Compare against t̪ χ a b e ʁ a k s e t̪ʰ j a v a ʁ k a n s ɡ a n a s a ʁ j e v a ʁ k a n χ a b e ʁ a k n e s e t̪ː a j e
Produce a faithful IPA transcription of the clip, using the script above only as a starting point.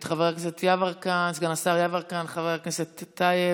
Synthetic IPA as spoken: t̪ χ a v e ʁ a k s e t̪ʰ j a v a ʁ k a n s ɡ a n a s a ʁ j a v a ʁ k a n χ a v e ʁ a k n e s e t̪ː a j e